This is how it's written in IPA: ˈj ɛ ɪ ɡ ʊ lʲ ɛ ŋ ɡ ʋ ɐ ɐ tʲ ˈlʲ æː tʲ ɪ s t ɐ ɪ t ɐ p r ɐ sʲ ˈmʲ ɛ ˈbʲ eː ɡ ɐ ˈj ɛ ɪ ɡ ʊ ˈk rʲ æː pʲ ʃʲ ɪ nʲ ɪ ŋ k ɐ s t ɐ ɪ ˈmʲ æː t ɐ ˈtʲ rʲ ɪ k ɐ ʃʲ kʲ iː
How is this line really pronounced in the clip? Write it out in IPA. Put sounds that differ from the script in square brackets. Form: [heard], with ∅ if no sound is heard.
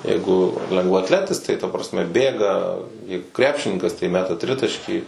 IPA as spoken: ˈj ɛ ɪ ɡ ʊ lʲ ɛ ŋ ɡ ʋ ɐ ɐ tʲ ˈlʲ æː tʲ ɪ s t ɐ ɪ t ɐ p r ɐ sʲ ˈmʲ ɛ ˈbʲ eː ɡ ɐ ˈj ɛ ɪ ɡ ʊ ˈk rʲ æː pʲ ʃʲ ɪ nʲ ɪ ŋ k ɐ s t ɐ ɪ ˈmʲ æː t ɐ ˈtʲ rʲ ɪ [t] ɐ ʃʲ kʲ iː